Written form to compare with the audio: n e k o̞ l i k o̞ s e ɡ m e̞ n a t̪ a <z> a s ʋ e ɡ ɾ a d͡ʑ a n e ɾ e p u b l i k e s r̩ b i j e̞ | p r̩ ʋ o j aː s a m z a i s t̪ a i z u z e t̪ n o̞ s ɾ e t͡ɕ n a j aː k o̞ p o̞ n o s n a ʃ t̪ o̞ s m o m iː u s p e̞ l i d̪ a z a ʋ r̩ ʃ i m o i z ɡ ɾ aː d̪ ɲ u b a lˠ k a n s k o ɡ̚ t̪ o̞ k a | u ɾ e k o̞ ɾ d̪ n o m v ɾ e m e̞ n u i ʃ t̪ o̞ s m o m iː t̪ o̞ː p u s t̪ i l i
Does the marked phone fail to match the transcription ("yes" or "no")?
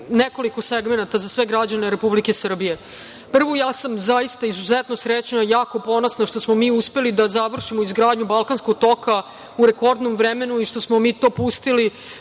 no